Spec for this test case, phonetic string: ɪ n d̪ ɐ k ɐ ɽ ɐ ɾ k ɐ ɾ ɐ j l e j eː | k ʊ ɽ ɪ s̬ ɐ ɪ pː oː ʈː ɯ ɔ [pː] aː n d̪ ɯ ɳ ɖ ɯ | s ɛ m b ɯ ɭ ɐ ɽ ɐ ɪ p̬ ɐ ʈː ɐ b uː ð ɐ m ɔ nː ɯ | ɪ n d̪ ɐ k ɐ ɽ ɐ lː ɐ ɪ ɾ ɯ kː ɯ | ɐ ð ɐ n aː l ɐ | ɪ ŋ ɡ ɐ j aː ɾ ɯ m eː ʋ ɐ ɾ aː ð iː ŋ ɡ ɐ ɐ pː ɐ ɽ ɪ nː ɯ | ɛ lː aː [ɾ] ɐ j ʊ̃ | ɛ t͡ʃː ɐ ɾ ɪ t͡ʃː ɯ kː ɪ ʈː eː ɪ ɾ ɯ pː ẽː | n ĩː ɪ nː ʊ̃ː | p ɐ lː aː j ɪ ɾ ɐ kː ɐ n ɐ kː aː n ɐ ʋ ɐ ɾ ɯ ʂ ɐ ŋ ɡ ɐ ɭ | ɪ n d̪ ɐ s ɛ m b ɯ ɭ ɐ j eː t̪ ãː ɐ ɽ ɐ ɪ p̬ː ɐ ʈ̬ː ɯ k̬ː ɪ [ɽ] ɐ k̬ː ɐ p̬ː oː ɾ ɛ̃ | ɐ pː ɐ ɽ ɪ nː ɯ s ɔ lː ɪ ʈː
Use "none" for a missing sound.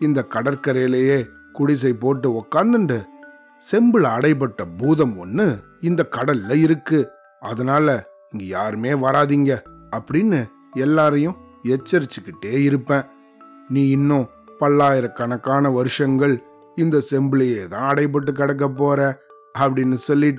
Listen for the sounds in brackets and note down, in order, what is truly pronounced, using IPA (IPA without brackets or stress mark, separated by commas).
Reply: kː, ɾ, ɽ